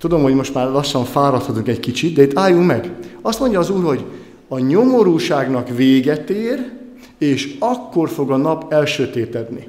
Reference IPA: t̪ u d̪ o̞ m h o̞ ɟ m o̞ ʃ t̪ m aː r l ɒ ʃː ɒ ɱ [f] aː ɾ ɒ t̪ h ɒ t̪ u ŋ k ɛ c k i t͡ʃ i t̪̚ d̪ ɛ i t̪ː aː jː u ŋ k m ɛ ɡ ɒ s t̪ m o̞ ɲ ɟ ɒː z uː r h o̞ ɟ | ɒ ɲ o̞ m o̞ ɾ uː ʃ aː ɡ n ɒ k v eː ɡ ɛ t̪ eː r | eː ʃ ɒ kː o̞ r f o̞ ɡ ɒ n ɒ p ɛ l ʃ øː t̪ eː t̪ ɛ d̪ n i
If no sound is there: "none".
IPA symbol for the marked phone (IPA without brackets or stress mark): f